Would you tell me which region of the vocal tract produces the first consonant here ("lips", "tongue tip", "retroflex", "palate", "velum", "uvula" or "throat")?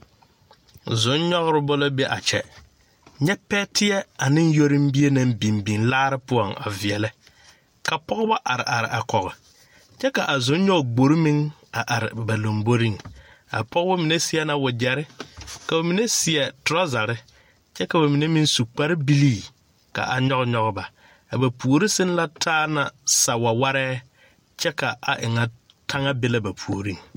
tongue tip